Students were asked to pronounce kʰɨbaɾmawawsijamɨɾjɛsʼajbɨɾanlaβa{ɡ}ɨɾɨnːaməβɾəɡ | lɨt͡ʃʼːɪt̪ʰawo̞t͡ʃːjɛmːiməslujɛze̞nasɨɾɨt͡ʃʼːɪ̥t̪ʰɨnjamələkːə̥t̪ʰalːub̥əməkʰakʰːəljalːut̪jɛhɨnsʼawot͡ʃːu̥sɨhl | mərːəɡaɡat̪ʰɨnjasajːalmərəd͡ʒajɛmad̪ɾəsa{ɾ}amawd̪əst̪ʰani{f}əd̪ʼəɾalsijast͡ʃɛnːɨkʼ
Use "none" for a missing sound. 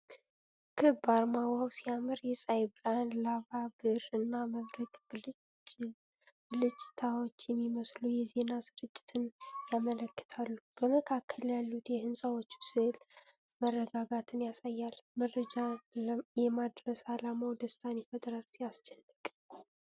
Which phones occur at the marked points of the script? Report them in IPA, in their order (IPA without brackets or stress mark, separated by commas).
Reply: b, l, f